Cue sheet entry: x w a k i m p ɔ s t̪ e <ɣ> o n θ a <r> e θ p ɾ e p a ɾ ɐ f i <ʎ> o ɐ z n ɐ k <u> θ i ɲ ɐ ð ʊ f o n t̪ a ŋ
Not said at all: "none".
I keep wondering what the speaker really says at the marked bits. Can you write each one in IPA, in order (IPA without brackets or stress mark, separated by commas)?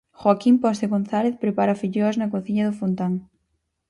ɣ, l, ʎ, o